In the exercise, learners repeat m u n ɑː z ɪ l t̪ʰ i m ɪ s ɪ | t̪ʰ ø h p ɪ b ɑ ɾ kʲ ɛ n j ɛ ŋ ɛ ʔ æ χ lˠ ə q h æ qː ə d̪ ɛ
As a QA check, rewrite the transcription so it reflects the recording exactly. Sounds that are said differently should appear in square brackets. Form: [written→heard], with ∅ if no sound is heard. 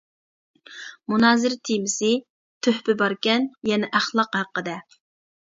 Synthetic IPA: m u n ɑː z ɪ [l→ɾ] t̪ʰ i m ɪ s ɪ | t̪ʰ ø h p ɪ b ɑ ɾ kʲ ɛ n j ɛ [ŋ→n] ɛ ʔ æ χ lˠ [ə→ɑ] q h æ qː ə d̪ ɛ